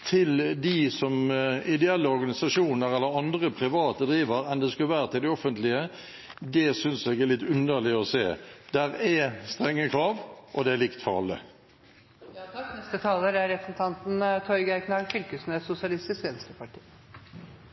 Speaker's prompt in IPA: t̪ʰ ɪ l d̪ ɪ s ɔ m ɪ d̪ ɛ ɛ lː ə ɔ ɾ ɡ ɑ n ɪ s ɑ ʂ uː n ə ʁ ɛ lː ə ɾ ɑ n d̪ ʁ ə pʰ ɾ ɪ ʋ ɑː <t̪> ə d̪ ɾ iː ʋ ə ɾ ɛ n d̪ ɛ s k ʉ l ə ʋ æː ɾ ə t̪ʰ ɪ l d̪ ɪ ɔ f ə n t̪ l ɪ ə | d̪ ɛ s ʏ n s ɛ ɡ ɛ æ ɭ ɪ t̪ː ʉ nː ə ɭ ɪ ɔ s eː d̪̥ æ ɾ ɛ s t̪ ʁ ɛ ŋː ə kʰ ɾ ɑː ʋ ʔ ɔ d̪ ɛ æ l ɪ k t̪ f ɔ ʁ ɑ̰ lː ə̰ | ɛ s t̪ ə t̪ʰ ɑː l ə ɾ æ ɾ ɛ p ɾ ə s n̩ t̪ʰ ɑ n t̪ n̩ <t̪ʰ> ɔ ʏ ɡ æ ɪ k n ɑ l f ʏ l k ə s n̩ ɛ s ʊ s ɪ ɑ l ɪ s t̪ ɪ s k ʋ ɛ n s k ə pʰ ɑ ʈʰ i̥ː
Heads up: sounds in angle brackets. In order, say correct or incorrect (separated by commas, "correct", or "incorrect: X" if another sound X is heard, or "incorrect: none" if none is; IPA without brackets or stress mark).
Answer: correct, correct